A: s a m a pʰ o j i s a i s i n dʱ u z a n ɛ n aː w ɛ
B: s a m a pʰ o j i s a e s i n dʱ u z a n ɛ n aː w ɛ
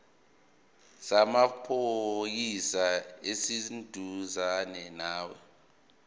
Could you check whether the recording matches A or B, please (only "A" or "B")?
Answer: B